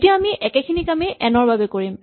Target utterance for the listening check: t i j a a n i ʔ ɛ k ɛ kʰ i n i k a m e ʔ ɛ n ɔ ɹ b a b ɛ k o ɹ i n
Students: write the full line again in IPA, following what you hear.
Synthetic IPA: t i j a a m i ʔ ɛ k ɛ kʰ i n i k a m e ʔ ɛ n ɔ ɹ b a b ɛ k o ɹ i m